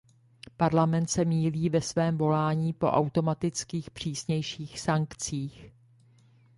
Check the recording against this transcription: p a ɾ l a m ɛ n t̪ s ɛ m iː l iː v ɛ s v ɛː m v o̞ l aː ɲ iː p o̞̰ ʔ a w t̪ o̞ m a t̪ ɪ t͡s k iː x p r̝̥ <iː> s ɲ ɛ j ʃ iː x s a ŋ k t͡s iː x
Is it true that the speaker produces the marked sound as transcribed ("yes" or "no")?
yes